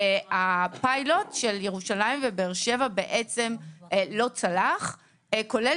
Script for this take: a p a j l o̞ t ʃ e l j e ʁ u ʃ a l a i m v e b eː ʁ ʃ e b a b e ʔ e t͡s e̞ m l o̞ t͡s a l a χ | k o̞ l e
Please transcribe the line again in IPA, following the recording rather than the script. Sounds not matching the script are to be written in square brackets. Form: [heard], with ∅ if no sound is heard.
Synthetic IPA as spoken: a p a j l o̞ t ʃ e l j e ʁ u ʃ a l a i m v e b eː ʁ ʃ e [v] a b e ʔ e t͡s e̞ m l o̞ t͡s a l a χ | k o̞ l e